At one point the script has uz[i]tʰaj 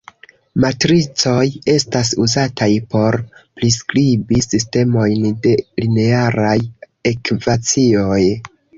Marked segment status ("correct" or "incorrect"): incorrect